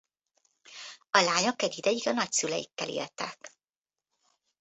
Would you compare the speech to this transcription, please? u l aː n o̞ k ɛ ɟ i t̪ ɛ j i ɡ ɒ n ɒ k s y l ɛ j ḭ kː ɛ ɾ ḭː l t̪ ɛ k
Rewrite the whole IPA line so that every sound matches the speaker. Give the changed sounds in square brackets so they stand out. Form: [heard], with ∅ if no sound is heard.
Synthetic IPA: [ɒ] l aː [ɲ] o̞ k ɛ ɟ i [d̪] ɛ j i ɡ ɒ n ɒ [c] s y l ɛ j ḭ kː ɛ [l] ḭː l t̪ ɛ k